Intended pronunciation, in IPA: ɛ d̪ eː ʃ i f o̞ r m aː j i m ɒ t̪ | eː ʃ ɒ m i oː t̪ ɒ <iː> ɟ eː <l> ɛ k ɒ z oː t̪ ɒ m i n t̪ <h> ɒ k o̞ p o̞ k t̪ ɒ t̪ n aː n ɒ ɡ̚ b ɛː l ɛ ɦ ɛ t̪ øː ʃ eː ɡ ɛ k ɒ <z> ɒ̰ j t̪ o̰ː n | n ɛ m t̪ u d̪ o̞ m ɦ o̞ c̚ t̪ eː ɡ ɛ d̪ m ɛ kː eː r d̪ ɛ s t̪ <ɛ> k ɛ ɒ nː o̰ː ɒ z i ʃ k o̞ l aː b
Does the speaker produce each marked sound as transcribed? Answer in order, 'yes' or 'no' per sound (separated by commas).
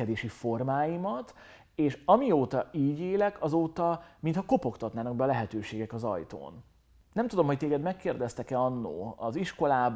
yes, yes, yes, yes, yes